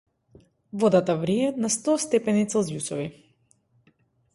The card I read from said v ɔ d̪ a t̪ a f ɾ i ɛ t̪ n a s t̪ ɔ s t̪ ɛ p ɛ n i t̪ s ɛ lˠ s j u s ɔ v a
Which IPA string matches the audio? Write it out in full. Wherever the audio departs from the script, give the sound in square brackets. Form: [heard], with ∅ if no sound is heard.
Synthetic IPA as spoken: v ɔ d̪ a t̪ a [v] ɾ i ɛ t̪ n a s t̪ ɔ s t̪ ɛ p ɛ n i t̪ s ɛ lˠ [z] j u s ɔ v [i]